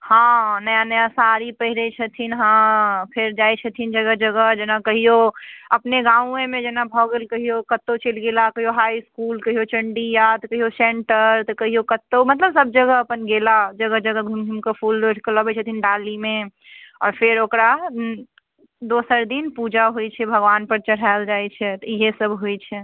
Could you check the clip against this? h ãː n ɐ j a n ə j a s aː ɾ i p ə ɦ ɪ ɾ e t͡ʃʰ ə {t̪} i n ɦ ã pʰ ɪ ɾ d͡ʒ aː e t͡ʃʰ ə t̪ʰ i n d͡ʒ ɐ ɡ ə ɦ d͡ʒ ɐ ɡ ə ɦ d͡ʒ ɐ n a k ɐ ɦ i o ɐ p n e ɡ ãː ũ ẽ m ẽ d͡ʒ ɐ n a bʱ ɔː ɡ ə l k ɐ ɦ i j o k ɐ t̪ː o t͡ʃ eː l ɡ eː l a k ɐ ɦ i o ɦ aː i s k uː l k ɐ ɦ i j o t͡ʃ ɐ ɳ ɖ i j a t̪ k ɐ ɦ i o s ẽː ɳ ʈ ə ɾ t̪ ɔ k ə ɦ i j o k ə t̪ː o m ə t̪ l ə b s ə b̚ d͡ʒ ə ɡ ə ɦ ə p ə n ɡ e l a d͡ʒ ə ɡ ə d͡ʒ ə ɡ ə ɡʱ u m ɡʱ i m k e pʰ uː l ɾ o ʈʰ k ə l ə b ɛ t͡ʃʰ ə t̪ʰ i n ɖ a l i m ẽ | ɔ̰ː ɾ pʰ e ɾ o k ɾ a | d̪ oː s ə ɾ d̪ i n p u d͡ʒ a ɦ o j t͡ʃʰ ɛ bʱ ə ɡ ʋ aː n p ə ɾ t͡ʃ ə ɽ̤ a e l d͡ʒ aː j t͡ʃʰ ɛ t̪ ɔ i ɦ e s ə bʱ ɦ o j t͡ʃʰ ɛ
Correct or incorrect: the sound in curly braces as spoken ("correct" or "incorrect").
incorrect